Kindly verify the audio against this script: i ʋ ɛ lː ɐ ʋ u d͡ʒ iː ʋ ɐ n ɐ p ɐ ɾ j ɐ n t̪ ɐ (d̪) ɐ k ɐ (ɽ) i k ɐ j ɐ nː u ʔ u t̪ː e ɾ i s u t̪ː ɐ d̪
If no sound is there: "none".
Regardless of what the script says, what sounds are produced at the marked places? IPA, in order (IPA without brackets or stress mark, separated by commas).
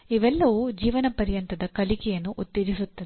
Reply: d̪, l